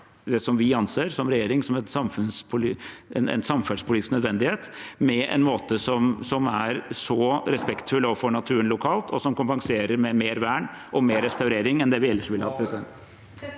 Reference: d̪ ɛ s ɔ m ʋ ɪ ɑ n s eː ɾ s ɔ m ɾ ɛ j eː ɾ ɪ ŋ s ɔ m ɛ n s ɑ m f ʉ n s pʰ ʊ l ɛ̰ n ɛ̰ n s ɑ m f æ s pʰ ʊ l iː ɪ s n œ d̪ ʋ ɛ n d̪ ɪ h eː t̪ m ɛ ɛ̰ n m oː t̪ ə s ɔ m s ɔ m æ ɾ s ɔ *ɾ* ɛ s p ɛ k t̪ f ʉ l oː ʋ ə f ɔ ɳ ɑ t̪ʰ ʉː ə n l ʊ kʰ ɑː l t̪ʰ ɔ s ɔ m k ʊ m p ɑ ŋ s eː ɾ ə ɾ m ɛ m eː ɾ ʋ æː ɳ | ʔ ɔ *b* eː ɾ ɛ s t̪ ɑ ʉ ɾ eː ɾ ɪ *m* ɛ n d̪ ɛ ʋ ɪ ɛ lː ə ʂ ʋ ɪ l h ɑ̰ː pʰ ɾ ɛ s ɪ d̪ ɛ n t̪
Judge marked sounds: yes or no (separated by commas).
yes, no, no